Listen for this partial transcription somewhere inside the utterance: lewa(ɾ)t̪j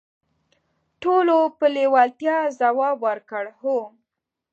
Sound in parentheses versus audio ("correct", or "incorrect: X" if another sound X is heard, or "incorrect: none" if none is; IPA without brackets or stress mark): incorrect: l